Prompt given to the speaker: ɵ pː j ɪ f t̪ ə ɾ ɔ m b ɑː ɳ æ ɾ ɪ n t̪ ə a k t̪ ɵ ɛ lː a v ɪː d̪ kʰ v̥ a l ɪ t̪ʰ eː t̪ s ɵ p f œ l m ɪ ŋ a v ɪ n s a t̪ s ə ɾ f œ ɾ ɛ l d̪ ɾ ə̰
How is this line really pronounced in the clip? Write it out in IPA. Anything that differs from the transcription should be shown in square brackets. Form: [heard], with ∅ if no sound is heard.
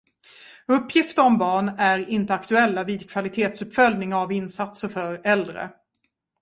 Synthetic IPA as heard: ɵ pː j ɪ f t̪ ə ɾ ɔ m b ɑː ɳ æ ɾ ɪ n t̪ ə a k t̪ ɵ ɛ lː a v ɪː d̪ kʰ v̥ a l ɪ t̪ʰ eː t̪ s ɵ p f œ l [n] ɪ ŋ a v ɪ n s a t̪ s ə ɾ f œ ɾ ɛ l d̪ ɾ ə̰

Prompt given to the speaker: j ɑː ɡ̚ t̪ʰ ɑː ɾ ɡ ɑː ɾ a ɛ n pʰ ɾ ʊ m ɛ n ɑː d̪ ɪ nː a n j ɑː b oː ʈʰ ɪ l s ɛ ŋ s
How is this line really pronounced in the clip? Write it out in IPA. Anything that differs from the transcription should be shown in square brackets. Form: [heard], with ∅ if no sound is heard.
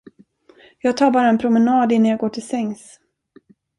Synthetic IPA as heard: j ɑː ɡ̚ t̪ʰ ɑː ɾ [b] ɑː ɾ a ɛ n pʰ ɾ ʊ m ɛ n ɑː d̪ ɪ nː a n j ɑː [ɡ] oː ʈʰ ɪ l s ɛ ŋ s

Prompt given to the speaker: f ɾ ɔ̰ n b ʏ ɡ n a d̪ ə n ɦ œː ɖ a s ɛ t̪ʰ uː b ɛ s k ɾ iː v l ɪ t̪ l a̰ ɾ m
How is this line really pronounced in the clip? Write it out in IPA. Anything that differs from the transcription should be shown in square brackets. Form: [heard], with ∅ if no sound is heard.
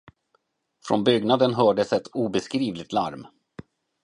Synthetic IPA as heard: f ɾ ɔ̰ n b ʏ ɡ n a d̪ ə n ɦ œː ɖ [ə] s ɛ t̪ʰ uː b ɛ s k ɾ iː v l ɪ t̪ l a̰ ɾ m

